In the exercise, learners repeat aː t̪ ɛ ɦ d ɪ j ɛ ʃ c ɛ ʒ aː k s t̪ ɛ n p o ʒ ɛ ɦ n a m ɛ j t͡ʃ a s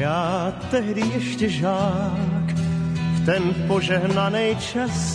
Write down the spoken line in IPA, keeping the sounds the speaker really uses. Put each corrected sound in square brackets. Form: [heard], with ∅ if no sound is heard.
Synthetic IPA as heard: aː t̪ ɛ ɦ d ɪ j ɛ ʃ c ɛ ʒ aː k [f] t̪ ɛ n p o ʒ ɛ ɦ n a [n] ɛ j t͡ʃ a s